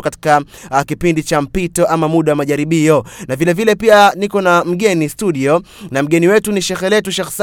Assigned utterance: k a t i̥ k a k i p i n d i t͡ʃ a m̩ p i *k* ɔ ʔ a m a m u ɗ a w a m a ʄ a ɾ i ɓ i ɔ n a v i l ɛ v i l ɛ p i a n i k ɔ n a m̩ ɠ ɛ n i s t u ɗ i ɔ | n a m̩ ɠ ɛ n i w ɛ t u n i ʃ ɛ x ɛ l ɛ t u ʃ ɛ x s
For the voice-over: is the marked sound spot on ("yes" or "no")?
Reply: no